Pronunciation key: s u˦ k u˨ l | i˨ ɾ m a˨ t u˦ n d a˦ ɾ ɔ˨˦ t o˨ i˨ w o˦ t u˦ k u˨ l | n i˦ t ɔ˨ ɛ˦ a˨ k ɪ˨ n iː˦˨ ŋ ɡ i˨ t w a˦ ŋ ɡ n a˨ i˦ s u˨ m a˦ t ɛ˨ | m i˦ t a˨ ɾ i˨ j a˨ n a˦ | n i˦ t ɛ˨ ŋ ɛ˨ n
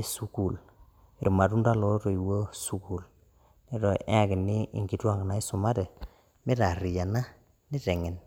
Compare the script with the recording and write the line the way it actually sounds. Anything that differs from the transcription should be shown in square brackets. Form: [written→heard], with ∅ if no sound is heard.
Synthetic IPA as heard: s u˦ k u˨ l | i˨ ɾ m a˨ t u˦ n d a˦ [ɾ→l] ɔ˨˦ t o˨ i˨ w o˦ [t→s] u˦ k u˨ l | n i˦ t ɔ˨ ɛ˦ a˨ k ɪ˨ n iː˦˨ ŋ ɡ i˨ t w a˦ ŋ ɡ n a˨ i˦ s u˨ m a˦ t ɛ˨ | m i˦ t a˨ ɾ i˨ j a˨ n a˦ | n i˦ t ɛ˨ ŋ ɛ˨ n